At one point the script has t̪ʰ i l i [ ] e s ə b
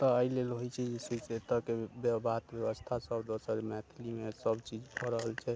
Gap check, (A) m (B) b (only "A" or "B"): A